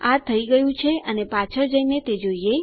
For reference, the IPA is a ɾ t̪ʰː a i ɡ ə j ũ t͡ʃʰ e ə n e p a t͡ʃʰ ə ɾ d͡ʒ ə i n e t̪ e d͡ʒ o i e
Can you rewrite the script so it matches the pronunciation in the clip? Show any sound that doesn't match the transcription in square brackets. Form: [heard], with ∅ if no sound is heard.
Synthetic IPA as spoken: a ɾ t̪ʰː [ə] i ɡ ə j ũ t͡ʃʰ e ə n e p a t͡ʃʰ ə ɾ d͡ʒ ə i n e t̪ e d͡ʒ o i e